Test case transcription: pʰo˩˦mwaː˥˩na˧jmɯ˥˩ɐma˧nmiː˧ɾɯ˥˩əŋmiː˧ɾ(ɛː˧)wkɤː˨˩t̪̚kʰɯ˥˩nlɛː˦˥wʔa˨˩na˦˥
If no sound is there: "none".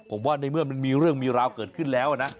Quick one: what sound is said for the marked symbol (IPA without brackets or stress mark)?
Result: aː˧